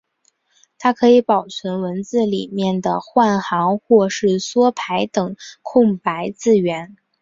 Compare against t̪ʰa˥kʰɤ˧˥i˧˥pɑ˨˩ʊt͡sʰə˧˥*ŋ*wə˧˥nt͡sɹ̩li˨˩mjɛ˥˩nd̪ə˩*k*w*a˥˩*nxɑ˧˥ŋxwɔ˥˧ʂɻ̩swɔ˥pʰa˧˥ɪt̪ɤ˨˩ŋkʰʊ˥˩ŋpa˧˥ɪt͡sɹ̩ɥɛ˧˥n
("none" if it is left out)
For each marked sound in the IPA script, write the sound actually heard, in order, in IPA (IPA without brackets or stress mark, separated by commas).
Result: n, x, a˥˩